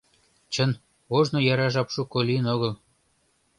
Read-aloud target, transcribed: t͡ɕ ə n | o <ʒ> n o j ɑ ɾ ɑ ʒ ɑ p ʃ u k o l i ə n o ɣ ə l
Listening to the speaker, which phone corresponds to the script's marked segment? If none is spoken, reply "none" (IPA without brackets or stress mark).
ʒ